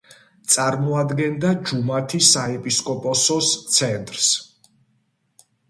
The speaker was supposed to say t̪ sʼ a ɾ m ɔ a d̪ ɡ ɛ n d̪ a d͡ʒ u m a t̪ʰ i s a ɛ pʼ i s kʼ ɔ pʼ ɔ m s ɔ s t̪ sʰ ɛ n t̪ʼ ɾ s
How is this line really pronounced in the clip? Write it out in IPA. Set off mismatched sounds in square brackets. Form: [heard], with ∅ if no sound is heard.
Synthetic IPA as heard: t̪ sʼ a ɾ m ɔ a d̪ ɡ ɛ n d̪ a d͡ʒ u m a t̪ʰ i s a ɛ pʼ i s kʼ ɔ pʼ ɔ [∅] s ɔ s t̪ sʰ ɛ n t̪ʼ ɾ s